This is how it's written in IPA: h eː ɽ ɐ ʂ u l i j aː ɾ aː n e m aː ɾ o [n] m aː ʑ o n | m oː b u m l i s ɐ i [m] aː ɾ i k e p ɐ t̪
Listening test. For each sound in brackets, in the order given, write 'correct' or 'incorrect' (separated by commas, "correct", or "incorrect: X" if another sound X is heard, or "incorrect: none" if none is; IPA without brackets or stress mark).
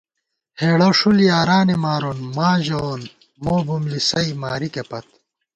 correct, correct